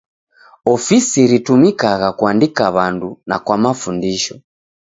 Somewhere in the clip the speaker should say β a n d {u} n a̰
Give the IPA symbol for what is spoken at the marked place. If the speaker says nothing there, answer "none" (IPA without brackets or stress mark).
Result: u